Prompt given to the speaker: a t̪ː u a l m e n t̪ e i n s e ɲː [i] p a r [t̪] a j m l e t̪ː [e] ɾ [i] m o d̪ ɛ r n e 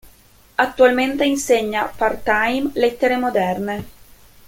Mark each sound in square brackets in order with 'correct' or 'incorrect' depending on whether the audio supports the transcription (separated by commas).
incorrect, correct, correct, incorrect